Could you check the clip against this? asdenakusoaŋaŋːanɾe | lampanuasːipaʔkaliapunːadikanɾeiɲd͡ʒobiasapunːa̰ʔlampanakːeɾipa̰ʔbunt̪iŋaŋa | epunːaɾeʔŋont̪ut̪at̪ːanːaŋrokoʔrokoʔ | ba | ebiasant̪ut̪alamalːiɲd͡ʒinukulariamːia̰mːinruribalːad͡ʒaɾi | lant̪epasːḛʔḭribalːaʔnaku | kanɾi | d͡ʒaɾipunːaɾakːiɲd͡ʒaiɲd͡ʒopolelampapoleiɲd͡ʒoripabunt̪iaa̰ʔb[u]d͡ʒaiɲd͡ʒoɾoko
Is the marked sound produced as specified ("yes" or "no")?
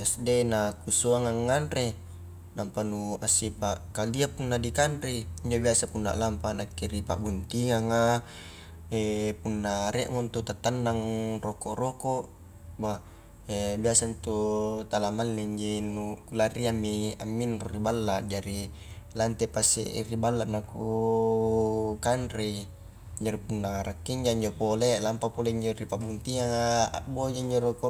no